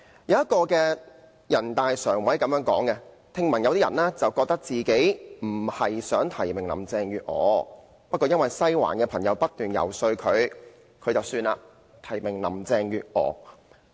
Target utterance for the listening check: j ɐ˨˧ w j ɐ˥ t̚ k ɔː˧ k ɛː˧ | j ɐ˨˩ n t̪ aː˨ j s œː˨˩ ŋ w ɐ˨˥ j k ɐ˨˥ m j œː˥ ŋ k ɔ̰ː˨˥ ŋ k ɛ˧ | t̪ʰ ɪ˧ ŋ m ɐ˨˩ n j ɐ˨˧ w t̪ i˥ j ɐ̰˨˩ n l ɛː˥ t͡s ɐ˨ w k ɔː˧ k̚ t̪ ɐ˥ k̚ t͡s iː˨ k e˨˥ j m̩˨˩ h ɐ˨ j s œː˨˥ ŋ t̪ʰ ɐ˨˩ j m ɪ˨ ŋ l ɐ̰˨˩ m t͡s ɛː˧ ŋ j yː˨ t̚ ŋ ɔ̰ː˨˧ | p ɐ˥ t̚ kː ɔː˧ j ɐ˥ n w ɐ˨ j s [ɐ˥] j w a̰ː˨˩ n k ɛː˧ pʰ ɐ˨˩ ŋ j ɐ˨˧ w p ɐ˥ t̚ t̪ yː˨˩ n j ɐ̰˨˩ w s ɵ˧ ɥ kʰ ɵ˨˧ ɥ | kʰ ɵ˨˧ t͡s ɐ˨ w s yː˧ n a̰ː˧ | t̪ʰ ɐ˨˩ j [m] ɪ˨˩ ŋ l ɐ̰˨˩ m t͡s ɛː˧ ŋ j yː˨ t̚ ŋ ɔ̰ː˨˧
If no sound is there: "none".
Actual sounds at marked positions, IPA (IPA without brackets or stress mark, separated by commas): ɐ˥, m